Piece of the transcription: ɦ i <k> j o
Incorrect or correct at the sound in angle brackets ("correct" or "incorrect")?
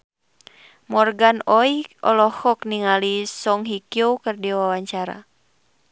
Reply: correct